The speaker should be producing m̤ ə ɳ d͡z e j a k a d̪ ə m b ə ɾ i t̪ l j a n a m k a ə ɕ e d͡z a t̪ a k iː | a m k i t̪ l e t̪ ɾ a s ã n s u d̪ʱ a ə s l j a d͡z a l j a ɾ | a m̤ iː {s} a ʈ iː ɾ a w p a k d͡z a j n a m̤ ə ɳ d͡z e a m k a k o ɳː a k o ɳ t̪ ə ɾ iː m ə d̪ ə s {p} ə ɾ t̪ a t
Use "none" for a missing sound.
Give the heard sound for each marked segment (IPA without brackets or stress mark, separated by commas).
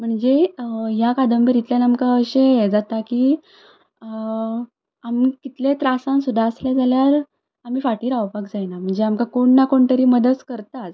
f, k